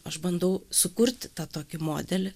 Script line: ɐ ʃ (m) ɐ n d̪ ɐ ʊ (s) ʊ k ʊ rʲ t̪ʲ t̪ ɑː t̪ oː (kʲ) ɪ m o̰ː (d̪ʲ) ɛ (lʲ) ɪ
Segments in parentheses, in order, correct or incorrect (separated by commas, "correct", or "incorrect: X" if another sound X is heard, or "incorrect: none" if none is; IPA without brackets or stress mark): incorrect: b, correct, correct, correct, correct